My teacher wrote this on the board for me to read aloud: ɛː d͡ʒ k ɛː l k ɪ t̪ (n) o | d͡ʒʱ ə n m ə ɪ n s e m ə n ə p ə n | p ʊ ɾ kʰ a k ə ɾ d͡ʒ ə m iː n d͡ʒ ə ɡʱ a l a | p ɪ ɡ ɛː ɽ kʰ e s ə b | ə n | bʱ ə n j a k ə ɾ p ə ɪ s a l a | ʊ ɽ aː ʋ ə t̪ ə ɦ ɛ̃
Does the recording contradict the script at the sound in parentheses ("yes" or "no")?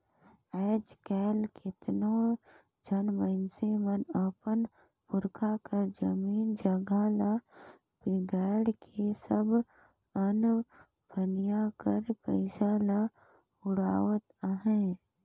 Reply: no